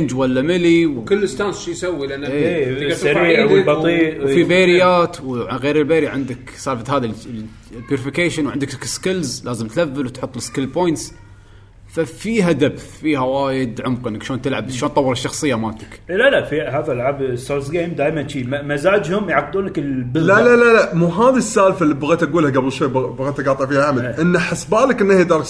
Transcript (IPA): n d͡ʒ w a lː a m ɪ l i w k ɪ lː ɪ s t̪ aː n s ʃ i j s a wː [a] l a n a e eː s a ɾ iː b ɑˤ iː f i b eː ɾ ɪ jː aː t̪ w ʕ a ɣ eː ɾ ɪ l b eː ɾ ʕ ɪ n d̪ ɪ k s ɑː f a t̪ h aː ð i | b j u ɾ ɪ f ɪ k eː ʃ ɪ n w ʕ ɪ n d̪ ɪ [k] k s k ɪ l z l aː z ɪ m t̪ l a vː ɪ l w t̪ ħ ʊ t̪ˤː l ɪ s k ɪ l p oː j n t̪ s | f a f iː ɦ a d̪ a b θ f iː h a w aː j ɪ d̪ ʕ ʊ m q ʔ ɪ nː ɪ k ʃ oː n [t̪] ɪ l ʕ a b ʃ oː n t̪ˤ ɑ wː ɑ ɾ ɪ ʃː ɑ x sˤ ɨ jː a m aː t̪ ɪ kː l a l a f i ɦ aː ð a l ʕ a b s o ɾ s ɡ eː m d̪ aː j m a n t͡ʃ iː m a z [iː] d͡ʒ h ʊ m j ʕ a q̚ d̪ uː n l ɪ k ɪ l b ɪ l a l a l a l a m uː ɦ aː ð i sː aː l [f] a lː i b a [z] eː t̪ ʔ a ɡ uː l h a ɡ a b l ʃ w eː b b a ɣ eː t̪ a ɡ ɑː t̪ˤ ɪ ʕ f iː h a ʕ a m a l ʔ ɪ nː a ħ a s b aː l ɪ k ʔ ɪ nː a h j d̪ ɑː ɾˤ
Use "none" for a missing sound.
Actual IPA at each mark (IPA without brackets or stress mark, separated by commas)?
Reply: i, k, t̪, aː, f, ɣ